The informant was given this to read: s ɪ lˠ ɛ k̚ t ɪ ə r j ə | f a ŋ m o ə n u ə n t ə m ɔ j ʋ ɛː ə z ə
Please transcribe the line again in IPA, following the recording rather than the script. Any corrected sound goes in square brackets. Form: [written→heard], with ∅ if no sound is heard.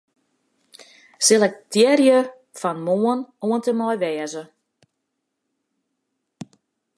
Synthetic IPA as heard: s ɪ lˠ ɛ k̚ t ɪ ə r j ə | f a [ŋ→n] m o ə n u ə n t ə m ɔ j ʋ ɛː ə z ə